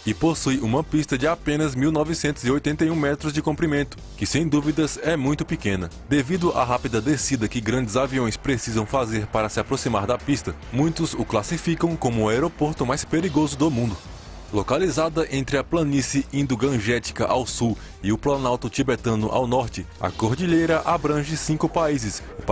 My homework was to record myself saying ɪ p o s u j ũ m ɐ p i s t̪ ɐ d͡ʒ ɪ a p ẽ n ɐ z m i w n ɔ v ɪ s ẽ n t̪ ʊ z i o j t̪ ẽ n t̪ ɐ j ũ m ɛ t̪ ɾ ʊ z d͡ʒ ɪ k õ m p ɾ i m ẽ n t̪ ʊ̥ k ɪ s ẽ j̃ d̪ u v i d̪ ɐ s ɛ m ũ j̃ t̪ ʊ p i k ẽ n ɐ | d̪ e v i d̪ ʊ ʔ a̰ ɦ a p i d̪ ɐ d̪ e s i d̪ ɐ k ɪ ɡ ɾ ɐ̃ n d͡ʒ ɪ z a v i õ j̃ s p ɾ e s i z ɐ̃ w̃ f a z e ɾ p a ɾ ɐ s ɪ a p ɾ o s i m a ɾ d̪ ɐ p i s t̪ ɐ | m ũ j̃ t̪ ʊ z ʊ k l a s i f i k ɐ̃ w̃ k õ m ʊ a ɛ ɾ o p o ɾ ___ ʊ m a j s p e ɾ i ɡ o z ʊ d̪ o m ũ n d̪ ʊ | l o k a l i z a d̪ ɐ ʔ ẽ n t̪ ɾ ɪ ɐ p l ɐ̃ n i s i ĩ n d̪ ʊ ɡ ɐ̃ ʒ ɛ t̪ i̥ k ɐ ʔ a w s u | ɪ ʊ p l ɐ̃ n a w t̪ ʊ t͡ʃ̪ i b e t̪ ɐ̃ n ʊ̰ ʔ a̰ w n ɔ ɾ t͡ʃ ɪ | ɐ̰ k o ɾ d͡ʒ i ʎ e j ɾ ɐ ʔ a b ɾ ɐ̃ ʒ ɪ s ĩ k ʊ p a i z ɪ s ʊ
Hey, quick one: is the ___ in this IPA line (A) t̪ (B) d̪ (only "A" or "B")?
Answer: A